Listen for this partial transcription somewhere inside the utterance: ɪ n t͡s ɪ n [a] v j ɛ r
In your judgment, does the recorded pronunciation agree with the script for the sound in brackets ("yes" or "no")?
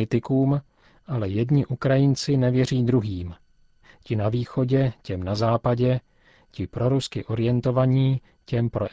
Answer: no